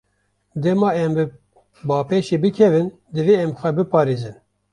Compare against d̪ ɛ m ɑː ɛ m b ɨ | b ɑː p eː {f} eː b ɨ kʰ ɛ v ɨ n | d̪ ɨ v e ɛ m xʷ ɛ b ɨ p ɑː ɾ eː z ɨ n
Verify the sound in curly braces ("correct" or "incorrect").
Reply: incorrect